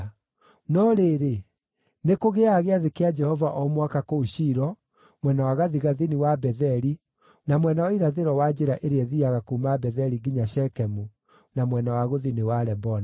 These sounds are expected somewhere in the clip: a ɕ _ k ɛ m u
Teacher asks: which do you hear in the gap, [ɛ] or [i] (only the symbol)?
ɛ